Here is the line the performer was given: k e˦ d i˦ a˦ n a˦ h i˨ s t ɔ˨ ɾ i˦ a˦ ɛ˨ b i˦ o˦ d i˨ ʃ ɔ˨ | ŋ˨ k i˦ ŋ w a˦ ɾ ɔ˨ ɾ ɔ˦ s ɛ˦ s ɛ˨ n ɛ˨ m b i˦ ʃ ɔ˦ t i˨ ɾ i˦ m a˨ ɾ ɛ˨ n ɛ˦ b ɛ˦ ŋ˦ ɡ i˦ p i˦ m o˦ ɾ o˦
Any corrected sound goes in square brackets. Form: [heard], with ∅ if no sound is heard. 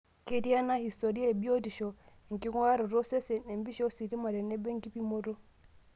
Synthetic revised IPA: k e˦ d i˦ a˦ n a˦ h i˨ s t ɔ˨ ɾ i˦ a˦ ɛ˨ b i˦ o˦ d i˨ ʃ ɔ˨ | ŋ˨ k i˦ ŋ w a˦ ɾ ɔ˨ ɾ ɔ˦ s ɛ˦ s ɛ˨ n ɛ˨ m b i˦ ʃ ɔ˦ [s] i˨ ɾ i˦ m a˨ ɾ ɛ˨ n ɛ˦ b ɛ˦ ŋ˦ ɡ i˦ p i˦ m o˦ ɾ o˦